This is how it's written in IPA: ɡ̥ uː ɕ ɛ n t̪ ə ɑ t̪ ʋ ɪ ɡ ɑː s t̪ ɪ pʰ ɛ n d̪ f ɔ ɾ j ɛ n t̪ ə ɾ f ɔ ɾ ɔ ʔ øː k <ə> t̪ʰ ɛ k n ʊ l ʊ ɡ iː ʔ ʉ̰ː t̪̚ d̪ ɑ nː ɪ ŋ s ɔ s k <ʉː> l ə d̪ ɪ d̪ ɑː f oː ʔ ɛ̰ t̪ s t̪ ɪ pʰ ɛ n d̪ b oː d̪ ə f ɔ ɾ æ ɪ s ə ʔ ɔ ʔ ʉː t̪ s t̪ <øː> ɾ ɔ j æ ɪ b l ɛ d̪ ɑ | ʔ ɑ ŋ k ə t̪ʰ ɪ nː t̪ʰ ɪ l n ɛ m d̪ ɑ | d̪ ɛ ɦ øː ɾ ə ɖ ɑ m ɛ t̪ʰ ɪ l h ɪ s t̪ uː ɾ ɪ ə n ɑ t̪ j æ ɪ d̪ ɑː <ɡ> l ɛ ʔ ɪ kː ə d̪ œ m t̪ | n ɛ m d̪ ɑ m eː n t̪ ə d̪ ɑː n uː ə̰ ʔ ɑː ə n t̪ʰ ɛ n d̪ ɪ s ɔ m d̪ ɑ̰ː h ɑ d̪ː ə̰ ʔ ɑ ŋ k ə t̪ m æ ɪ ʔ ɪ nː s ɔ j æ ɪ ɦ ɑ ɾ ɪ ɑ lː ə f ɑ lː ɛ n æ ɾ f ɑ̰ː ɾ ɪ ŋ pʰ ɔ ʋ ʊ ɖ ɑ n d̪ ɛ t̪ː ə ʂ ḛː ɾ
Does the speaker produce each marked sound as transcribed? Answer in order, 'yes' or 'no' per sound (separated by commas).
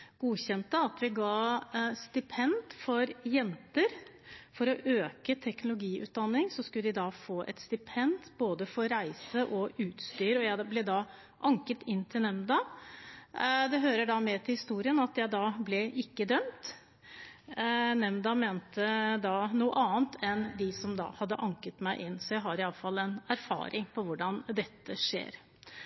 yes, no, no, no